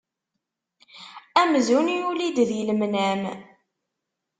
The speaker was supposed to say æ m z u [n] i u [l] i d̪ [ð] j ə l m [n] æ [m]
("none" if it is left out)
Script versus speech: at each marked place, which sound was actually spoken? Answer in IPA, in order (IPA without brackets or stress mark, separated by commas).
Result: n, l, ð, n, m